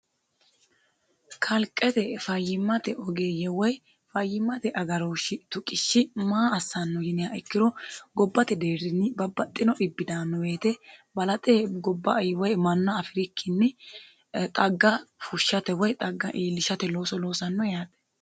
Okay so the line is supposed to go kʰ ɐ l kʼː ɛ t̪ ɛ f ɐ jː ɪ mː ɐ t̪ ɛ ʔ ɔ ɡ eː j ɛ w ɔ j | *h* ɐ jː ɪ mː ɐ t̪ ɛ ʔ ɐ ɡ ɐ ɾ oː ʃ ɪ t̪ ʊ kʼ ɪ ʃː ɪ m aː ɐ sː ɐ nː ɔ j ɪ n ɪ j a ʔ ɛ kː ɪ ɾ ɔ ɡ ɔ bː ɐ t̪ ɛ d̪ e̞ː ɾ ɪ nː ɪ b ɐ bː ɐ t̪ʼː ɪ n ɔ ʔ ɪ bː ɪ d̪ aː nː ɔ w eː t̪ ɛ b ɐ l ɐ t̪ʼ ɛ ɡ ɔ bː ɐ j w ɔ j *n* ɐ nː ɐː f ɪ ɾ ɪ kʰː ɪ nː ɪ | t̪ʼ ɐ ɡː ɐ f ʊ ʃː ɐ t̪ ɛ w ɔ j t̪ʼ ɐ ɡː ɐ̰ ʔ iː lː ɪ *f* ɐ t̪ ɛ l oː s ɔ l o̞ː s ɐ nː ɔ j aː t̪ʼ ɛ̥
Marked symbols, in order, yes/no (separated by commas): no, no, no